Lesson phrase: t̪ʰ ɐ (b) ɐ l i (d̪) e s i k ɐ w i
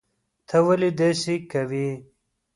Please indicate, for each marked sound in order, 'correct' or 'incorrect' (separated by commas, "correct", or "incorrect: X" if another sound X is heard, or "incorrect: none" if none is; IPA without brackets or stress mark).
incorrect: w, correct